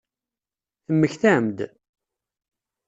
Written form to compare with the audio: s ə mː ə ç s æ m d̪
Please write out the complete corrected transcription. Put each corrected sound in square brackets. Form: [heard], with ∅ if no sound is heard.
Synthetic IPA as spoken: [θ] ə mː ə ç [θ] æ m d̪